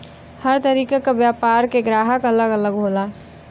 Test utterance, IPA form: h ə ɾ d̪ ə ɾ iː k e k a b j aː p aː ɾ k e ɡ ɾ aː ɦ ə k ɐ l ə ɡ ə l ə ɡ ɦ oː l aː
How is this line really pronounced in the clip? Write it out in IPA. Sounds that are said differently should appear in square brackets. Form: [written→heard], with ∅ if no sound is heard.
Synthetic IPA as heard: h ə ɾ [d̪→t̪] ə ɾ iː k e k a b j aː p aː ɾ k e ɡ ɾ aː ɦ ə k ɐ l ə ɡ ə l ə ɡ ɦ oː l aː